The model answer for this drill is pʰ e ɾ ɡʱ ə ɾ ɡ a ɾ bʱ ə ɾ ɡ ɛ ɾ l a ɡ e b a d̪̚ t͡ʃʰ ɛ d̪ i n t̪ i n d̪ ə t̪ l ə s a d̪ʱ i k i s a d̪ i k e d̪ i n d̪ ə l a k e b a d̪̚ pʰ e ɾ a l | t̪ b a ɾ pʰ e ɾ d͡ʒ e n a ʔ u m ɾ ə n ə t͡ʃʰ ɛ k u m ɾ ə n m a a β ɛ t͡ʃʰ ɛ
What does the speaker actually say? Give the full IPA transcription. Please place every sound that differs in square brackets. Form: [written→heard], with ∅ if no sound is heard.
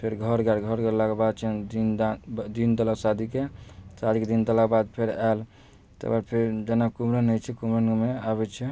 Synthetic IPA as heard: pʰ e ɾ ɡʱ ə ɾ ɡ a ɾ [bʱ→ɡʱ] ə ɾ ɡ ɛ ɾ l a [ɡ→k] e b a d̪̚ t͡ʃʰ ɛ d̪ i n [t̪→d̪] i n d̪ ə [t̪→∅] l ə s a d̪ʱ i k [i→e] s a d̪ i k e d̪ i n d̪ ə l a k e b a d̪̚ pʰ e ɾ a l | t̪ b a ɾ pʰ e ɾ d͡ʒ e n a [ʔ→k] u m ɾ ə n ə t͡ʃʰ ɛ k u m ɾ ə n m [a→e] a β ɛ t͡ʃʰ ɛ